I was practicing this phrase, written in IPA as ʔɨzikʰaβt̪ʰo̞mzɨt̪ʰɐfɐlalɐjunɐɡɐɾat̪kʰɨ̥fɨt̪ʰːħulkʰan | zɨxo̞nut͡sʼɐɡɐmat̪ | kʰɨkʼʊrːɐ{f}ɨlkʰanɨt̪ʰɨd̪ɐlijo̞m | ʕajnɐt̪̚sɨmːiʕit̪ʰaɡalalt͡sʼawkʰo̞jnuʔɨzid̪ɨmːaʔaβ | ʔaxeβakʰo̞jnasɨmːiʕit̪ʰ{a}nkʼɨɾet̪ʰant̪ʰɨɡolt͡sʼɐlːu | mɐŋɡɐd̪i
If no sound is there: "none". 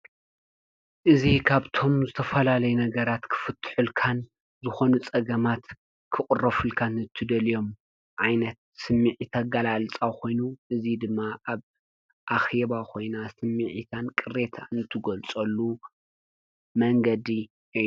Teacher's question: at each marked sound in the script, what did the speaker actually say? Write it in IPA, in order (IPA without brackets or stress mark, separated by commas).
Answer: f, a